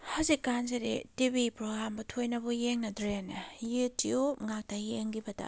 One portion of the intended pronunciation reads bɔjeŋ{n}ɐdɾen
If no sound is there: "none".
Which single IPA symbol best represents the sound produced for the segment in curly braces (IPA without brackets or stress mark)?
n